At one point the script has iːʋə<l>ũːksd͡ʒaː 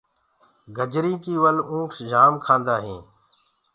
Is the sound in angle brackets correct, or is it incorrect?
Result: correct